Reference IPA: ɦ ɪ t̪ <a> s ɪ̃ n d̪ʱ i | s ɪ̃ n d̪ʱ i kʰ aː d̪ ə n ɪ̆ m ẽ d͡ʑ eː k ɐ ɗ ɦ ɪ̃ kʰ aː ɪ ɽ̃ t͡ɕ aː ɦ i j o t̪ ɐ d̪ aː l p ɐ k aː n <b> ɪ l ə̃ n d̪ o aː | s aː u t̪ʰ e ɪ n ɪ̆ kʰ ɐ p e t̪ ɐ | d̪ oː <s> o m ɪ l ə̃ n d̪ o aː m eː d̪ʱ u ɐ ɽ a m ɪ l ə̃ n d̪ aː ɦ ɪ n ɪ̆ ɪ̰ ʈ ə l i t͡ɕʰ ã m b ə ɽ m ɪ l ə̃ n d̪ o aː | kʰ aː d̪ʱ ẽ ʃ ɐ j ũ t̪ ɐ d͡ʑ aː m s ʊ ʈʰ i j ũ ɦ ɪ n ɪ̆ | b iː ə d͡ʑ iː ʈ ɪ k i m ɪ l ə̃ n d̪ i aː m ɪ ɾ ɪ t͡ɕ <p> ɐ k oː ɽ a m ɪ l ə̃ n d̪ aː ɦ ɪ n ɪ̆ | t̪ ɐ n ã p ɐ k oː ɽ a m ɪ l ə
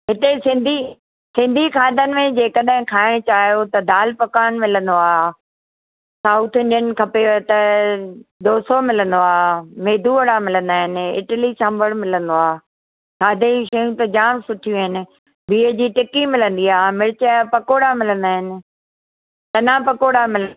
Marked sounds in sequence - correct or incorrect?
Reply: incorrect: e, incorrect: m, correct, correct

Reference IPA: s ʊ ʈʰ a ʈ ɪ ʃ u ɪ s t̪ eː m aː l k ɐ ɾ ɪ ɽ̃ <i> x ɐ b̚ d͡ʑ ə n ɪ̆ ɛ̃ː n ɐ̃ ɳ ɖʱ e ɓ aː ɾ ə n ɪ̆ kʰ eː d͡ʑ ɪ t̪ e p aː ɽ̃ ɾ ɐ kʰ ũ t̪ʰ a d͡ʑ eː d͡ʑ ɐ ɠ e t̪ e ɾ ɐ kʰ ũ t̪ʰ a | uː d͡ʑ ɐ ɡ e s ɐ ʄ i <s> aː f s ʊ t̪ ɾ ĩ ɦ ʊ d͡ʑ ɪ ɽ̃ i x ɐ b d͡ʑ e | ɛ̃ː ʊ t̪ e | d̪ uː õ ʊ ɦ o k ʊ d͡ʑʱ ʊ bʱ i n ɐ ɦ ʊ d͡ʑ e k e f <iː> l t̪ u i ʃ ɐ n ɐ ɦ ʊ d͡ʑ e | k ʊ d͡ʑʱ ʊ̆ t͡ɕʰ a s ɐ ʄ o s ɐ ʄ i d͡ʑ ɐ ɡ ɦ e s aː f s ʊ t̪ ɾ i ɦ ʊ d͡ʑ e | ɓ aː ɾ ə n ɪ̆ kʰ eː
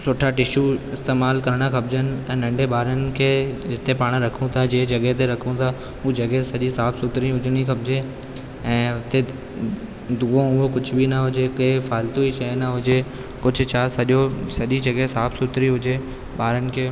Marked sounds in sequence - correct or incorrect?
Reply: incorrect: a, correct, incorrect: aː

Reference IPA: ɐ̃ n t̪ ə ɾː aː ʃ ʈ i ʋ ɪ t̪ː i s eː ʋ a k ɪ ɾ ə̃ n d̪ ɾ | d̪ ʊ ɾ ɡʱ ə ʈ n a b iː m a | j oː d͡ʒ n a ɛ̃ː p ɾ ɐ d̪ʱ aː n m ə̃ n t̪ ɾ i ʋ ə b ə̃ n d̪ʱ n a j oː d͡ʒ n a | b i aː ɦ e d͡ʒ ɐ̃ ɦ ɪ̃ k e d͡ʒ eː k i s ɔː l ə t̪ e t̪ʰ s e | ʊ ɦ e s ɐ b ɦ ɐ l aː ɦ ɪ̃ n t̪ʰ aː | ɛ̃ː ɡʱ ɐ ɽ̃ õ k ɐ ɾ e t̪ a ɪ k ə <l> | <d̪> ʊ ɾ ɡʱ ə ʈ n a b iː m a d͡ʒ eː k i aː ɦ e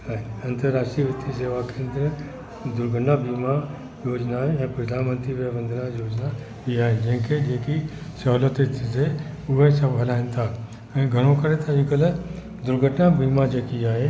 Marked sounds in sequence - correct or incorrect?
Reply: correct, correct

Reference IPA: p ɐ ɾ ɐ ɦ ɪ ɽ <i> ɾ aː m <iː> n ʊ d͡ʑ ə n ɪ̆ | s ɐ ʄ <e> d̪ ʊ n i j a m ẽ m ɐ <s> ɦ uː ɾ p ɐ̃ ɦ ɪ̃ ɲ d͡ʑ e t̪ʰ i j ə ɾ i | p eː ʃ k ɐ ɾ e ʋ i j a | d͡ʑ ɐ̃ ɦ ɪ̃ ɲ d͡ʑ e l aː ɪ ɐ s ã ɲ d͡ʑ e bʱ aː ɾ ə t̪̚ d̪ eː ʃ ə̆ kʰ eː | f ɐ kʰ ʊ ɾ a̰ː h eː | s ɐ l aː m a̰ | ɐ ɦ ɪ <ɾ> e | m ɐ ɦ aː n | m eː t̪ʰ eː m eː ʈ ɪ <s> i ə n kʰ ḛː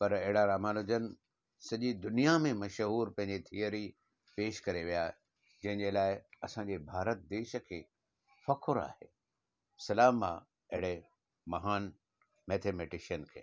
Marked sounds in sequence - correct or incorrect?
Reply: incorrect: a, incorrect: aː, incorrect: i, incorrect: ʃ, incorrect: ɽ, incorrect: ʃ

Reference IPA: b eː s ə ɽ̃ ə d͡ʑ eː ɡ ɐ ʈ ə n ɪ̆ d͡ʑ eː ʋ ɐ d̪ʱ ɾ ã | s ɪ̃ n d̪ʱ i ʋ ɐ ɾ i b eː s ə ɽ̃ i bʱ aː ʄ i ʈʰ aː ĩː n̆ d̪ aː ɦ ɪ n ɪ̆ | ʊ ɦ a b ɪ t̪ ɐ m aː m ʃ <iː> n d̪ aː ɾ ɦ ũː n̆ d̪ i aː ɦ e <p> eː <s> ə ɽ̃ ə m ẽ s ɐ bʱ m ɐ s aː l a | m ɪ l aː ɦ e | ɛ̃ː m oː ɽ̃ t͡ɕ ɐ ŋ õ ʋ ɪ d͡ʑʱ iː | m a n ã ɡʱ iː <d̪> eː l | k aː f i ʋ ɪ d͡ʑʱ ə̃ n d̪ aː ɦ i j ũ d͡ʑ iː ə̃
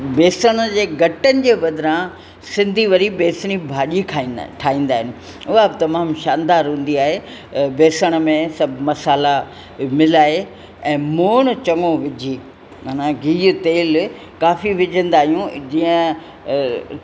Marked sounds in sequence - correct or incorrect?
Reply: incorrect: aː, incorrect: b, correct, incorrect: t̪

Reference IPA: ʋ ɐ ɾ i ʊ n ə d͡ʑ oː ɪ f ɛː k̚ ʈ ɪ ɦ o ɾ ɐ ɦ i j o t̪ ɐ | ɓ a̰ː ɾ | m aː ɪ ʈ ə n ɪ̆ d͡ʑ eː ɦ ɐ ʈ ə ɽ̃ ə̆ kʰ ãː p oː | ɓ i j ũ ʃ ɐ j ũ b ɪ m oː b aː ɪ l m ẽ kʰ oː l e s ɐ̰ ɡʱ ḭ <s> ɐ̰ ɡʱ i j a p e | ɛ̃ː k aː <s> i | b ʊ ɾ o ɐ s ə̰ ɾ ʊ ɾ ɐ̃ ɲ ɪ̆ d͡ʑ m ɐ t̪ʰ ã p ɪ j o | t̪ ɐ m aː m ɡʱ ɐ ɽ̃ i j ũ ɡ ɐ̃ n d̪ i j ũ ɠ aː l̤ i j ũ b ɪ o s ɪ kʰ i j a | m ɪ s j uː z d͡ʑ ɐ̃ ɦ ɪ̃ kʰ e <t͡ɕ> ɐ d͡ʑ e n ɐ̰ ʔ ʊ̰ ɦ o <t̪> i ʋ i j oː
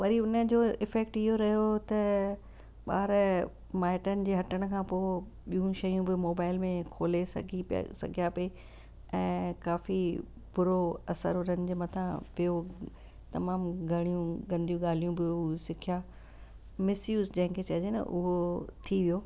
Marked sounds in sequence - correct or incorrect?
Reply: correct, incorrect: f, correct, incorrect: t̪ʰ

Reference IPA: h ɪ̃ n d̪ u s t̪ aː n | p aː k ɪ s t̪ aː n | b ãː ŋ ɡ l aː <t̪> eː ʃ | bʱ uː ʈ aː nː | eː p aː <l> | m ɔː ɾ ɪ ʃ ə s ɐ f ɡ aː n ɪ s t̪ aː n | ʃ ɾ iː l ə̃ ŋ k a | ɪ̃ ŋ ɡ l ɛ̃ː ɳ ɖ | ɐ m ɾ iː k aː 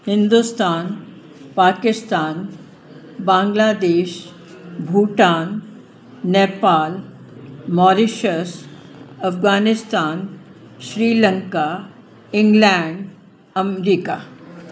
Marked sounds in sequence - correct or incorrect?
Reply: incorrect: d̪, correct

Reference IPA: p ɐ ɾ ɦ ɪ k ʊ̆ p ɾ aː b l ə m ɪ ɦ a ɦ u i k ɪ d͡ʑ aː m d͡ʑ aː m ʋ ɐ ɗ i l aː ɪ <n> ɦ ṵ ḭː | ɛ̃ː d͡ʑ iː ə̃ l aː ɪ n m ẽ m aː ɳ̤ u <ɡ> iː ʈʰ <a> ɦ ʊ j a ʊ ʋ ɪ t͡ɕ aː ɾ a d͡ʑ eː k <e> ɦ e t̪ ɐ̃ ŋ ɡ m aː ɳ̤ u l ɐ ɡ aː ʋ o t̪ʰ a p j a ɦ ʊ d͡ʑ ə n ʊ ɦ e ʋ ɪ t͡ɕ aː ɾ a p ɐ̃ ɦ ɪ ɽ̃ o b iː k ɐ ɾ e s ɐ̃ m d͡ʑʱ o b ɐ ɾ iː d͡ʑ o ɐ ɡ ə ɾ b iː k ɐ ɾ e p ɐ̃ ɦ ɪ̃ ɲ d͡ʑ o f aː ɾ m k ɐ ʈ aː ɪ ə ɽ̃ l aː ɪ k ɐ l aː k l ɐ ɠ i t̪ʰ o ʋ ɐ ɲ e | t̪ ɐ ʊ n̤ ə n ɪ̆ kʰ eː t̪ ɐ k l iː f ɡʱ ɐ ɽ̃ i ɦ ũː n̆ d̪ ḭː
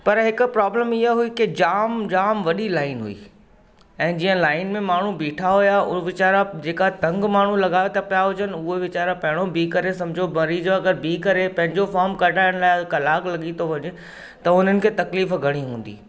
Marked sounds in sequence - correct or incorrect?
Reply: correct, incorrect: b, correct, incorrect: a

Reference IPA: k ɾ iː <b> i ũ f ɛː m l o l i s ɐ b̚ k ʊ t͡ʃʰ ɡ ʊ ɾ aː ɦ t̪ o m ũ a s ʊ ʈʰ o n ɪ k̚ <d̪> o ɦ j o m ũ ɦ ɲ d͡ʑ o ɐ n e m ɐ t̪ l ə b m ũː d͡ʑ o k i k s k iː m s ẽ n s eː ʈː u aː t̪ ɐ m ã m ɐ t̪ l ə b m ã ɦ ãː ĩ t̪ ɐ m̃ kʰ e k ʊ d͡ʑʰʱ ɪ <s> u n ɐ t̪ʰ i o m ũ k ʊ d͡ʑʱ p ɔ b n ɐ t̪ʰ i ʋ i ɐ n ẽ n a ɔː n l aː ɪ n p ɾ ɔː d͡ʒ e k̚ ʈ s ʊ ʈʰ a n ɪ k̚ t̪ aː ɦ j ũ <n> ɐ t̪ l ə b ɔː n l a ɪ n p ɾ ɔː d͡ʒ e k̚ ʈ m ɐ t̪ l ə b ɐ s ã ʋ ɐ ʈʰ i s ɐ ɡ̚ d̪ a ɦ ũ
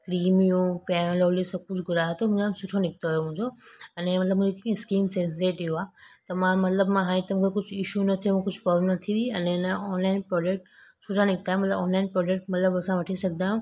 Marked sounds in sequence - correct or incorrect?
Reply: incorrect: m, incorrect: t̪, incorrect: ʃ, incorrect: m

